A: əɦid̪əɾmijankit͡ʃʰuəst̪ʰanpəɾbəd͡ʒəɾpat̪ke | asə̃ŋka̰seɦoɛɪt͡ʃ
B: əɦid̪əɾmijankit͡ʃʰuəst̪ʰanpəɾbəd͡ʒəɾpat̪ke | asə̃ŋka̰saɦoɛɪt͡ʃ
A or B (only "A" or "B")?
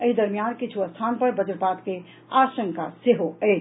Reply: A